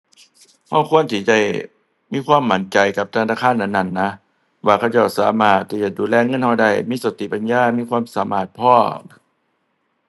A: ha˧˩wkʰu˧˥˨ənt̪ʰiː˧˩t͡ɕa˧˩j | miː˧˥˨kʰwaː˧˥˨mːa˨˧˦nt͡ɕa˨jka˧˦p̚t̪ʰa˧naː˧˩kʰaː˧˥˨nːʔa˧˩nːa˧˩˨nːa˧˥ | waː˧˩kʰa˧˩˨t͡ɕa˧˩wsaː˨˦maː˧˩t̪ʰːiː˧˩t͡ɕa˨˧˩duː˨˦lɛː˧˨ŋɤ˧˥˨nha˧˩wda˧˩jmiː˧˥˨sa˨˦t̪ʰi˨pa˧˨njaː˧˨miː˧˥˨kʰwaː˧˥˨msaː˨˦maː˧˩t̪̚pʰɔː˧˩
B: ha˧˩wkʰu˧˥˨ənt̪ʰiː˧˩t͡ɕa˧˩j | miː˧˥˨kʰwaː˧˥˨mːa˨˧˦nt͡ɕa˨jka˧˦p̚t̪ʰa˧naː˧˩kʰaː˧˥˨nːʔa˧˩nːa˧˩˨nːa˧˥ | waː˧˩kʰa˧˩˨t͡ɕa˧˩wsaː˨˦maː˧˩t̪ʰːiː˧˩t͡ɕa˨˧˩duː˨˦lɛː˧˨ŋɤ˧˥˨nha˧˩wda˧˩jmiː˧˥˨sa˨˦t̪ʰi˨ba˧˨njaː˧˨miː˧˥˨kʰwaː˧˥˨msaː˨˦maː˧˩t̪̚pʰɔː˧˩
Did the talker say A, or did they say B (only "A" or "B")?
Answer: A